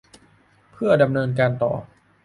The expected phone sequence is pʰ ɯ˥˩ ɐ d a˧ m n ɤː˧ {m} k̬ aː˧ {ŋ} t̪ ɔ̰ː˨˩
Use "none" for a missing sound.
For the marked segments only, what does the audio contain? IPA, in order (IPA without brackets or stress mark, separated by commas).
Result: n, n